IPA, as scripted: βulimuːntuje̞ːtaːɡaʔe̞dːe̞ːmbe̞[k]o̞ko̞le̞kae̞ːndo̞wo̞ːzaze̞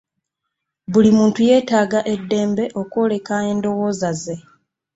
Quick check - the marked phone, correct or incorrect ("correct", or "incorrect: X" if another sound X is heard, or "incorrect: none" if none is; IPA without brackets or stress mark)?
incorrect: ʔ